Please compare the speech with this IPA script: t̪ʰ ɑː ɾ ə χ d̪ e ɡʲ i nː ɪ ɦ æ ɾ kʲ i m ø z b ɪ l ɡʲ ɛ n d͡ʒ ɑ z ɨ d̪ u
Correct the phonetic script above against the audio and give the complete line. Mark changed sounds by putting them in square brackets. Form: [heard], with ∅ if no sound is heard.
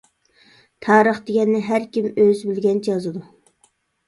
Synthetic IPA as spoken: t̪ʰ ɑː ɾ ə χ d̪ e ɡʲ [ɛ] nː ɪ ɦ æ ɾ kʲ i m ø z b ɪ l ɡʲ ɛ n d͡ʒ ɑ z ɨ d̪ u